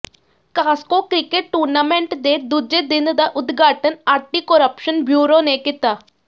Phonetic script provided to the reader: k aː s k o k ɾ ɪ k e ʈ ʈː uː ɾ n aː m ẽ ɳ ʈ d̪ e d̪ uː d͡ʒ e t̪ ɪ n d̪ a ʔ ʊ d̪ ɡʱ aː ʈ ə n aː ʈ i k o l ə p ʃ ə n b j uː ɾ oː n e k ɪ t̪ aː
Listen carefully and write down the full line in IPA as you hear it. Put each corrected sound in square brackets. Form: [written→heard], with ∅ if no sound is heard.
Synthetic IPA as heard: k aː s k o k ɾ ɪ k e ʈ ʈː uː ɾ n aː m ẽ ɳ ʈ d̪ e d̪ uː d͡ʒ e [t̪→d̪] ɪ n d̪ a ʔ ʊ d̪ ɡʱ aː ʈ ə n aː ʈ i k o [l→ɾ] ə p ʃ ə n b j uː ɾ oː n e k ɪ t̪ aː